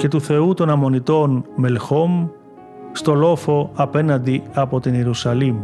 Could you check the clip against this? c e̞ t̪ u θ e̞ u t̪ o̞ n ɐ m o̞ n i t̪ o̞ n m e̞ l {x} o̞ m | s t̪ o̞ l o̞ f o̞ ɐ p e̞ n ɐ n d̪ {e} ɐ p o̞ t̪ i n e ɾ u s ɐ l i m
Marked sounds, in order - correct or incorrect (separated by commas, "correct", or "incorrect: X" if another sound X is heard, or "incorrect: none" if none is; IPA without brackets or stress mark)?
correct, incorrect: i